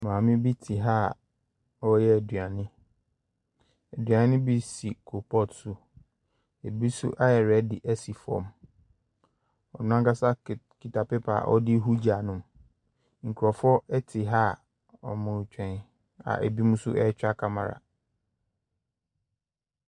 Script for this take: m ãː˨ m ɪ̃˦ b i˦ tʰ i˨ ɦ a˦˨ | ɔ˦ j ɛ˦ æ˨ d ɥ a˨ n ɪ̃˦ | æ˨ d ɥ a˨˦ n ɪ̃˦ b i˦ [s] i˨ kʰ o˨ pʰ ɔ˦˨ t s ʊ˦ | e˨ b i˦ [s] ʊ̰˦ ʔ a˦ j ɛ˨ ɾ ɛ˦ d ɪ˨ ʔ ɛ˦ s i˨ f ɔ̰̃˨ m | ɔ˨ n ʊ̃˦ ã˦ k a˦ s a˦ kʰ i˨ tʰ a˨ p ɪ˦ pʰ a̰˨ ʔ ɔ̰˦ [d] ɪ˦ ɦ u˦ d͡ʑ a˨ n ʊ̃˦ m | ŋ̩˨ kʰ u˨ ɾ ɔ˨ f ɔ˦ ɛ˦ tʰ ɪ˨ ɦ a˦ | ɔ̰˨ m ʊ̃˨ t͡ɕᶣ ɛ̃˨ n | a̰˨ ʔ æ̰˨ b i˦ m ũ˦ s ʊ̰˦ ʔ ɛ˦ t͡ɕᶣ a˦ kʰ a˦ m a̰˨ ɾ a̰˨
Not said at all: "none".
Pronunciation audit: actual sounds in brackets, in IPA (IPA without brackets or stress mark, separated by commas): s, s, d